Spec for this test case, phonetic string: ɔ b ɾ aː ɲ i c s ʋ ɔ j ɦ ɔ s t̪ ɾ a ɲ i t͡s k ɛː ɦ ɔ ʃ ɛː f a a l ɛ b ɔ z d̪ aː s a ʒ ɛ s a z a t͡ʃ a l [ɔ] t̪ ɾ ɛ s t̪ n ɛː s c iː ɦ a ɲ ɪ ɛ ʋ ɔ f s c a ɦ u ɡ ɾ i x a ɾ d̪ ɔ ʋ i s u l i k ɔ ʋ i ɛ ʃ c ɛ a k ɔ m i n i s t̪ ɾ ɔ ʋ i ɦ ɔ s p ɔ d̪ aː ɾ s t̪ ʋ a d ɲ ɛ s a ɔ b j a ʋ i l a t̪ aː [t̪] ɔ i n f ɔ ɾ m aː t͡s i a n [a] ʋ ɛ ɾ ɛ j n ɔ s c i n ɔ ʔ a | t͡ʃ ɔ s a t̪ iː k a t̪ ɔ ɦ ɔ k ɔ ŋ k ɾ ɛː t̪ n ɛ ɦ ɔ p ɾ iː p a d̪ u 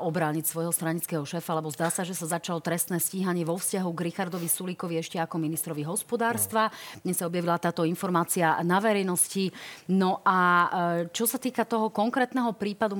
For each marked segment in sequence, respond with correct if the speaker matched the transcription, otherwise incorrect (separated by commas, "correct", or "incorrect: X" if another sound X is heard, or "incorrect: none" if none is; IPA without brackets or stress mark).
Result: correct, correct, correct